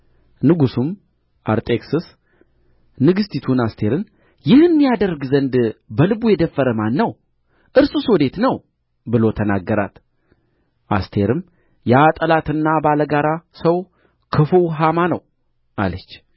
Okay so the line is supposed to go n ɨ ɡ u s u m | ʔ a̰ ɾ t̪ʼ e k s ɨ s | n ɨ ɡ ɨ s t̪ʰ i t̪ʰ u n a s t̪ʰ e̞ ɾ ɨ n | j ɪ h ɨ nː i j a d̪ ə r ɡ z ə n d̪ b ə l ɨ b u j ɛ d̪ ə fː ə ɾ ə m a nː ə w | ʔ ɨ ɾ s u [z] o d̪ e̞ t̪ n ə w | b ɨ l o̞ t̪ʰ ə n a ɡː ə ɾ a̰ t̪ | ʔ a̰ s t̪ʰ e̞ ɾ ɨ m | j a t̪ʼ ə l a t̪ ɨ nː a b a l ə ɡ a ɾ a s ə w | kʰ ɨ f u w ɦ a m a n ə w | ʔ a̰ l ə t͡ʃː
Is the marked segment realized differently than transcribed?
yes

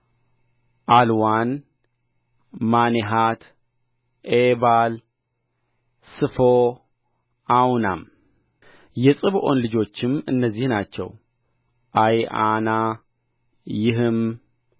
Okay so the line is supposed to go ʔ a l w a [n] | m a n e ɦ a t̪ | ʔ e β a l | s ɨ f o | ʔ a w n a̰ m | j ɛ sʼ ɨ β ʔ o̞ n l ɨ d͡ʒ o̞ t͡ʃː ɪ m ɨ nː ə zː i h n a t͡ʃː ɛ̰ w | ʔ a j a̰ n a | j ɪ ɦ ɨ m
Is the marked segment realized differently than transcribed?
no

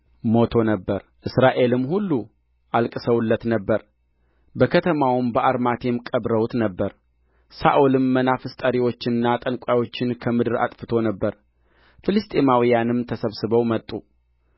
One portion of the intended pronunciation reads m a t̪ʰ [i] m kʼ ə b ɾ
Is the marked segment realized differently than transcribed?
yes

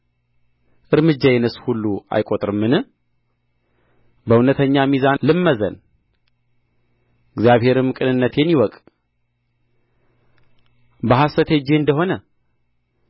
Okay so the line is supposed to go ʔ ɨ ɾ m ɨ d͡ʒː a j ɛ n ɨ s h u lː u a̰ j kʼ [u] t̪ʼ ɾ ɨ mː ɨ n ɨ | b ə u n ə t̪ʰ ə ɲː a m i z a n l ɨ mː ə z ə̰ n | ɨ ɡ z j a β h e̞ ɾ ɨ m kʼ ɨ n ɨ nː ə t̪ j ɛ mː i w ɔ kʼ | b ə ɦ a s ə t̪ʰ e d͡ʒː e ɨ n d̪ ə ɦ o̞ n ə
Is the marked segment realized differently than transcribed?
yes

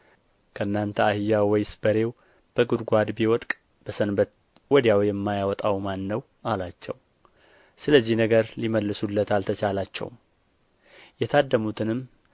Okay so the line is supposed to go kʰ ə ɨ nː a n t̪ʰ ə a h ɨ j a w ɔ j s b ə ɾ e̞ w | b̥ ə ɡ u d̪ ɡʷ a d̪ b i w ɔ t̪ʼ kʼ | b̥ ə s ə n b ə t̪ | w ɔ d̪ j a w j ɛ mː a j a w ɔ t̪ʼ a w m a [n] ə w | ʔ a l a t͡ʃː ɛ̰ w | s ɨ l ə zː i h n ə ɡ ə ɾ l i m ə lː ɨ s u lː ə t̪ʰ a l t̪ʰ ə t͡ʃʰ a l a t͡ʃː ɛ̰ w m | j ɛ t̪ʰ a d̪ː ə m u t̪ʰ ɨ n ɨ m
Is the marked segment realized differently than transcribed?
yes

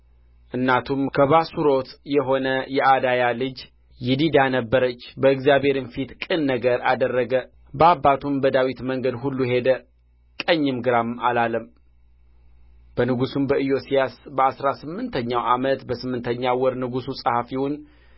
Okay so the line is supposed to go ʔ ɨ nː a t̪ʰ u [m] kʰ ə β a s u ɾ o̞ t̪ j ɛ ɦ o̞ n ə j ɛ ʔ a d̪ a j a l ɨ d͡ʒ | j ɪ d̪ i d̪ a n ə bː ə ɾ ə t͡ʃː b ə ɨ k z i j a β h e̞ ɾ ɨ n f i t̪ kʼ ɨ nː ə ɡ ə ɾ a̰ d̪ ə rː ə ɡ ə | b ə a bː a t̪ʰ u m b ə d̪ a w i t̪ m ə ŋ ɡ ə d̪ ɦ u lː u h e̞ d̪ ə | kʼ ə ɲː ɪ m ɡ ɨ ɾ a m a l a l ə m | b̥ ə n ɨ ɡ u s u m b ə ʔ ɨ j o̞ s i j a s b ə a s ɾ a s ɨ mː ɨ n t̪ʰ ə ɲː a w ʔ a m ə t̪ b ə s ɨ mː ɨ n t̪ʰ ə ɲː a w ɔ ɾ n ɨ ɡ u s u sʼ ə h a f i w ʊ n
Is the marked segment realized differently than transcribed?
no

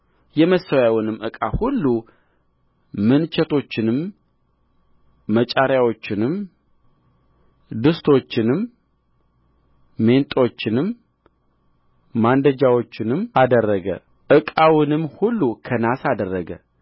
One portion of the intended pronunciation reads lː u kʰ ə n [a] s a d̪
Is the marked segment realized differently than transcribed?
no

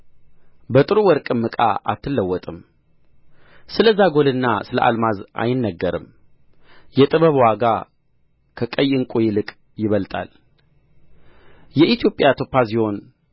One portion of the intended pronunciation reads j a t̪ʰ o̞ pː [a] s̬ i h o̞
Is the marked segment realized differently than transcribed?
no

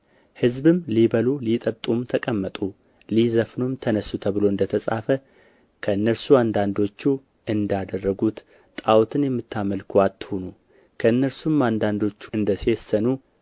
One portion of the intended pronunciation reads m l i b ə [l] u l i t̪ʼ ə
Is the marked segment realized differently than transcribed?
no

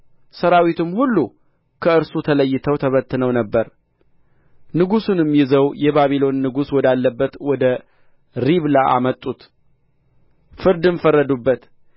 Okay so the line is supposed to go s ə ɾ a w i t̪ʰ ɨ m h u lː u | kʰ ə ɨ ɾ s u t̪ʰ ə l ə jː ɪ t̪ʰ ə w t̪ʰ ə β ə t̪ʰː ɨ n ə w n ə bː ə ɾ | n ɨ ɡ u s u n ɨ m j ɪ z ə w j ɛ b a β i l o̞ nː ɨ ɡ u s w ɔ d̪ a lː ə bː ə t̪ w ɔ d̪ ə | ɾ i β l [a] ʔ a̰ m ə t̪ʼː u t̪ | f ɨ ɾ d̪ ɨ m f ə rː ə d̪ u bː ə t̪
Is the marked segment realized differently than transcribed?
no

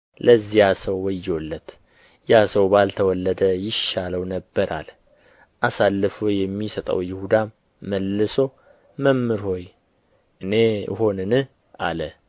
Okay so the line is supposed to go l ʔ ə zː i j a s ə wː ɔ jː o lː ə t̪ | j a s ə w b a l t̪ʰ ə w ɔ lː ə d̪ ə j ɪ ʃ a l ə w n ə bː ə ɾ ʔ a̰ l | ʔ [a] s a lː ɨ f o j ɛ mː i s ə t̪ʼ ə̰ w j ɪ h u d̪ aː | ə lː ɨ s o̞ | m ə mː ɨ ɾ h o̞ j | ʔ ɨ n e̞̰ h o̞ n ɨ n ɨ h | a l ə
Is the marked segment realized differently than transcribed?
no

